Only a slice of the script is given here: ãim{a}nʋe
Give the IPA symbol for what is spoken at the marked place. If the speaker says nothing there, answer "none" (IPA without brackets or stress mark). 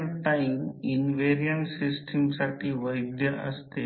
i